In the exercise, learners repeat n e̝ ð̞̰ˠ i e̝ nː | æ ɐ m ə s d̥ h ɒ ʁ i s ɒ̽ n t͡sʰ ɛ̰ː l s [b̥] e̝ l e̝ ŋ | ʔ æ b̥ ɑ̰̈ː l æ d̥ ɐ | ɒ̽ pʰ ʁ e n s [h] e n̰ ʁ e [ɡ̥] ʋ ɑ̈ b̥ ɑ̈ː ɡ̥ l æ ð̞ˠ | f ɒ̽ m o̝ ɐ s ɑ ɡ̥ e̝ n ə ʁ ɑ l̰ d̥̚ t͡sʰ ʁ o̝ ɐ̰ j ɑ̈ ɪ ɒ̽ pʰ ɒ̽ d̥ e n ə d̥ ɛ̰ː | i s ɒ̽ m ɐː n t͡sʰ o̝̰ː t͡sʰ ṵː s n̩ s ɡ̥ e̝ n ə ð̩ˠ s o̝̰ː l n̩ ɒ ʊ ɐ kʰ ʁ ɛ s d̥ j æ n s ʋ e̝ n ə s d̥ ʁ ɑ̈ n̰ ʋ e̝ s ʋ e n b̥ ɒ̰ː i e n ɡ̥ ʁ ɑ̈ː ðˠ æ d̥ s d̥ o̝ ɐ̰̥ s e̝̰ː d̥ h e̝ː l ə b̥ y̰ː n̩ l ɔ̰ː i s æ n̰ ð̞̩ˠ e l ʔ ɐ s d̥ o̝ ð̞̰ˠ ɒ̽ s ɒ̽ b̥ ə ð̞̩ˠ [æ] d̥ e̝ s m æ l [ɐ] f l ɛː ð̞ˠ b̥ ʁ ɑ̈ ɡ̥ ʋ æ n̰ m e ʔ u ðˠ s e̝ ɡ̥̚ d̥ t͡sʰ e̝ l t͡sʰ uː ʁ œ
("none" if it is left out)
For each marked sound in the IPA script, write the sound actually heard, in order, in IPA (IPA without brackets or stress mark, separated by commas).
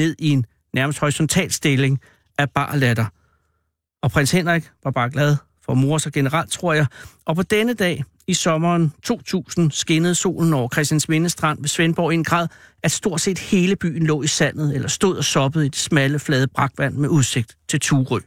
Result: d̥, h, ɡ̥, i, ə